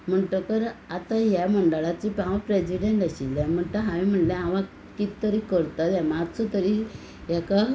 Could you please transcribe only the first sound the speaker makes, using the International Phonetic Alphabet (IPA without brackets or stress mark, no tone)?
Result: m̤